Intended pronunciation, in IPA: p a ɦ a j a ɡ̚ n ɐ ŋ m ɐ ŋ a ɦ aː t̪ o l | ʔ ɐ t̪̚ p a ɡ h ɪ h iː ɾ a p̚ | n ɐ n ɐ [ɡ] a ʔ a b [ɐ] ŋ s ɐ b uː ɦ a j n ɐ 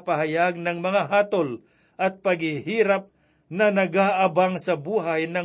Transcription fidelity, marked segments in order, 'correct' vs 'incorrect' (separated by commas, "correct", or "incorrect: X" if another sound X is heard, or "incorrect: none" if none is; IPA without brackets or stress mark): correct, incorrect: a